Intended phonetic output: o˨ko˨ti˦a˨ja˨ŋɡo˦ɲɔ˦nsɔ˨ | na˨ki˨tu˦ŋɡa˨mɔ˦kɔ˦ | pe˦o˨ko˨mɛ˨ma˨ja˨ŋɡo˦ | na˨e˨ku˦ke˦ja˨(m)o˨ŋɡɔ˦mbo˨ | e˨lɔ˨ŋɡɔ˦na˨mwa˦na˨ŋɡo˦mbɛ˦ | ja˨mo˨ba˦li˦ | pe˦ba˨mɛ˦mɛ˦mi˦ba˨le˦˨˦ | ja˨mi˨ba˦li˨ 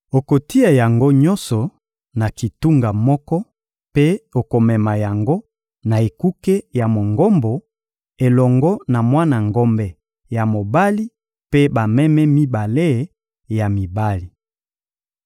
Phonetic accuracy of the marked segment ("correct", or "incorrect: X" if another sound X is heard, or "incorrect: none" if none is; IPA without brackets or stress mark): correct